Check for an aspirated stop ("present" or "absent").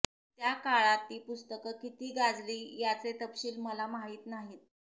absent